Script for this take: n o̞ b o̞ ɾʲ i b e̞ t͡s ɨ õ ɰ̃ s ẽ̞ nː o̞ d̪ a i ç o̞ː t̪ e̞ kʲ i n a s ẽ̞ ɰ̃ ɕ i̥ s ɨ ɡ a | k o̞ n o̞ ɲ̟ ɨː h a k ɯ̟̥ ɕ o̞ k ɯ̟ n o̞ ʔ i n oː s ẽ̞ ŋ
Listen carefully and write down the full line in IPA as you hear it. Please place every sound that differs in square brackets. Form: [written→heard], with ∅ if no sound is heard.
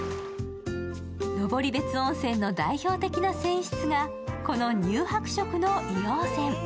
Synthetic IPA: n o̞ b o̞ ɾʲ i b e̞ t͡s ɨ õ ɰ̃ s ẽ̞ nː o̞ d̪ a i ç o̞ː t̪ e̞ kʲ i n a s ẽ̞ ɰ̃ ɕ i̥ [s→t͡s] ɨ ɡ a | k o̞ n o̞ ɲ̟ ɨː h a k ɯ̟̥ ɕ o̞ k ɯ̟ n o̞ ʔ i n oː s ẽ̞ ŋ